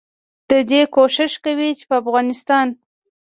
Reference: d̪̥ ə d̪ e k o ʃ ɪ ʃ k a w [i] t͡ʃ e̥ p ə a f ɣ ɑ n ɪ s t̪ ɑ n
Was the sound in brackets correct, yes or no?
yes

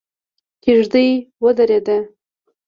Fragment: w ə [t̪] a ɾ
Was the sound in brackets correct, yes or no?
no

